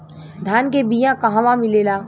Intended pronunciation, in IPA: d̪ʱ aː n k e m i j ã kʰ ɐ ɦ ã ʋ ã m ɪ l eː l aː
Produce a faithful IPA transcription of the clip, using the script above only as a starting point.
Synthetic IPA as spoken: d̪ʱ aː n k e b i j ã k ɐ ɦ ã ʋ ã m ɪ l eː l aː